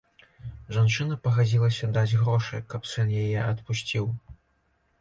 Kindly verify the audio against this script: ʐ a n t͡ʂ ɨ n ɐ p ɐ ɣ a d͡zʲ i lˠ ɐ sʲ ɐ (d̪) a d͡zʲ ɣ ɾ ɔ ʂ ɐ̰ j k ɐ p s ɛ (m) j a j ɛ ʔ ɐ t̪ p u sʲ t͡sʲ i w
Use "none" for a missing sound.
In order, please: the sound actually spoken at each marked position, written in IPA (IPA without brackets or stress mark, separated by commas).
d̪, n